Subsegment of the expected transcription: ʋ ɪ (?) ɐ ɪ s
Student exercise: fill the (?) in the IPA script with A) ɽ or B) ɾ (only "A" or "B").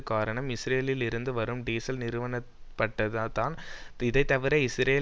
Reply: B